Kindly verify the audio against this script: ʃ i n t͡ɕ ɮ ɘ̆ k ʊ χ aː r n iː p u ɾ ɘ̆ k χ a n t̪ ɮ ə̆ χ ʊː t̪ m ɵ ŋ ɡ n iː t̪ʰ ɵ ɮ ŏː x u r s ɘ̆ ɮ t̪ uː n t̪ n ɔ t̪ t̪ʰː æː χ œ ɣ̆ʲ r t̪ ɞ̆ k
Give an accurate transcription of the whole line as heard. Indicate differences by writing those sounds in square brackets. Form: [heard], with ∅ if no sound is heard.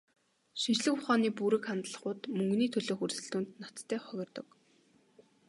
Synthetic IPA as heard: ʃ i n t͡ɕ ɮ ɘ̆ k ʊ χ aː [∅] n iː p u ɾ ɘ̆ k χ a n t̪ ɮ ə̆ χ ʊː t̪ m ɵ ŋ ɡ n iː t̪ʰ ɵ ɮ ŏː x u r s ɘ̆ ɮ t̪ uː n t̪ n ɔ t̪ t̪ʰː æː χ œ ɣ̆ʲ r t̪ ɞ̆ k